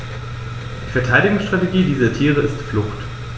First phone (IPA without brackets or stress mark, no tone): d̥